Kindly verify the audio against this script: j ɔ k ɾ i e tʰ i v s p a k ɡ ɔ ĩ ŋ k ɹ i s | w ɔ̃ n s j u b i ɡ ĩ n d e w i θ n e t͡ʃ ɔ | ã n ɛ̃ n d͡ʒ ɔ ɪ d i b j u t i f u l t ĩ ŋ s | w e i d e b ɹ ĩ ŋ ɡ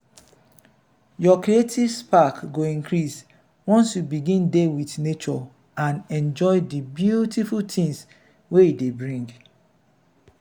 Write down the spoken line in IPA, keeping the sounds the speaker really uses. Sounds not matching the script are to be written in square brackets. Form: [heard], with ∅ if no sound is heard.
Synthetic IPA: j ɔ k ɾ i e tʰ i v s p a k ɡ [o] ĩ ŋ k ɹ i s | w ɔ̃ n s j u b i ɡ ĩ n d e w i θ n e t͡ʃ ɔ | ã n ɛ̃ n d͡ʒ ɔ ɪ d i b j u t i f u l t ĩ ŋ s | w e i d e b ɹ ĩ ŋ ɡ